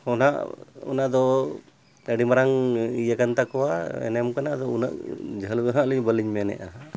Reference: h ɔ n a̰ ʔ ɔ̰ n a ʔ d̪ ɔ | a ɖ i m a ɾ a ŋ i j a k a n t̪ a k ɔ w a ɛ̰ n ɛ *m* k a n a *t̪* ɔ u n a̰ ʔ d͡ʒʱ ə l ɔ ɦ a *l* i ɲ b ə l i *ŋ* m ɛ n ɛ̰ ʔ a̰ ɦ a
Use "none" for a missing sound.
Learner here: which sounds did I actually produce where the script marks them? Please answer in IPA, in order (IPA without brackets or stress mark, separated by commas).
m, d̪, l, ɲ